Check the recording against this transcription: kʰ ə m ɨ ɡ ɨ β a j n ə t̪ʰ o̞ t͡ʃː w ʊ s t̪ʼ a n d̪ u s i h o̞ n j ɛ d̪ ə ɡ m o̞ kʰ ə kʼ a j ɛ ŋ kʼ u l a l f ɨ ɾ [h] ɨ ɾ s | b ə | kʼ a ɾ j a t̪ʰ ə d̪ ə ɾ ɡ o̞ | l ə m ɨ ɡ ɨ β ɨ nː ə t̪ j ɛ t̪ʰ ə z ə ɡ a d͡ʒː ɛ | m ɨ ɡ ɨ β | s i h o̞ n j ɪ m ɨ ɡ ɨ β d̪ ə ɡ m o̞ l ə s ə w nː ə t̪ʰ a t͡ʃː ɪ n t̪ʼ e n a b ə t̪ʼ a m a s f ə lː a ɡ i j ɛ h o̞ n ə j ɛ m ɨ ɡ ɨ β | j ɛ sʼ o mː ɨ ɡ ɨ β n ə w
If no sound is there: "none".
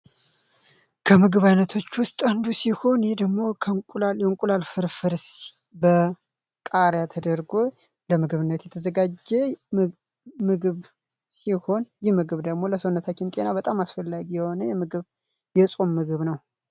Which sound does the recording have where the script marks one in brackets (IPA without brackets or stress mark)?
f